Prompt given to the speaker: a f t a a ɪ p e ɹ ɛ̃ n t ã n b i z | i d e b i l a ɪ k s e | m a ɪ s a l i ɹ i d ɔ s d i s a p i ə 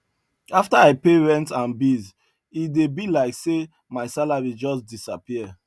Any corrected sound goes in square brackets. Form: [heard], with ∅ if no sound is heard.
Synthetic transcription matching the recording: a f t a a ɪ p e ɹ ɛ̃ n t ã n b i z | i d e b i l a ɪ k s e | m a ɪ s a l [a] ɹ i [d͡ʒ] ɔ s d i s a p i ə